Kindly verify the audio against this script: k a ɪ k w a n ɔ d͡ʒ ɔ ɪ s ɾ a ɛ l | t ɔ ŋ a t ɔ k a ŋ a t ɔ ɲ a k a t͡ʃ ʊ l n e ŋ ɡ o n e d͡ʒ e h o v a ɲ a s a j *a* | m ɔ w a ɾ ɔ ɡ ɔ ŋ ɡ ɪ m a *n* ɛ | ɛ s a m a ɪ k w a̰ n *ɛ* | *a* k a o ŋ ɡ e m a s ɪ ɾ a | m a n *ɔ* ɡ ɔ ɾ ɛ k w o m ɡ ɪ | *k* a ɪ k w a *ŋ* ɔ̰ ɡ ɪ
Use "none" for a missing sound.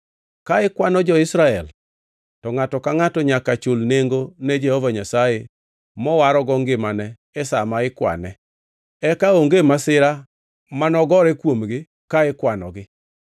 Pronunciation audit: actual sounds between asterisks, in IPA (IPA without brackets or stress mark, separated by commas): e, n, ɛ, ɛ, ɔ, k, n